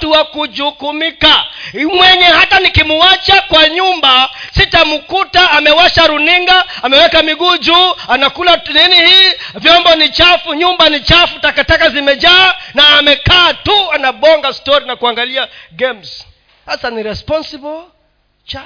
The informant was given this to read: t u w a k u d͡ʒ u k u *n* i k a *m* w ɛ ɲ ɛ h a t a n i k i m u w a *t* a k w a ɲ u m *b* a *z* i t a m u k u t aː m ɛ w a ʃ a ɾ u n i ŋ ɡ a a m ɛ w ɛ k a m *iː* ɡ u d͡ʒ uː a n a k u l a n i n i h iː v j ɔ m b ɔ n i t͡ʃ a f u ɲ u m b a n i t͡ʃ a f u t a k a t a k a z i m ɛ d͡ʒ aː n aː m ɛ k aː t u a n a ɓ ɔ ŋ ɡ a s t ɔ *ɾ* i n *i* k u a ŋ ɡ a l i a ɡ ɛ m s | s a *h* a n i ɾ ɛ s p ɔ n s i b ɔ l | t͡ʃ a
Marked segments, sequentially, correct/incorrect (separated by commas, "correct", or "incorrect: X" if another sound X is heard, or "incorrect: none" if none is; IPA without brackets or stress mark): incorrect: m, correct, incorrect: t͡ʃ, correct, incorrect: s, incorrect: i, correct, incorrect: a, incorrect: s